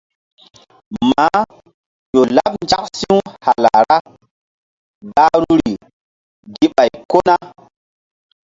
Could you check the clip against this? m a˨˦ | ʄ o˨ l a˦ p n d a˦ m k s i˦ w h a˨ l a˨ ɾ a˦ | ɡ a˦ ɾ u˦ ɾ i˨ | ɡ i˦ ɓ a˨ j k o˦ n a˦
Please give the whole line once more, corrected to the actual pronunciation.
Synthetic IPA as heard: m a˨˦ | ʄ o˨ l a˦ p n d͡ʒ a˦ k s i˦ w h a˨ l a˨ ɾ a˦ | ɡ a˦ ɾ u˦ ɾ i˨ | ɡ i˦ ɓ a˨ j k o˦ n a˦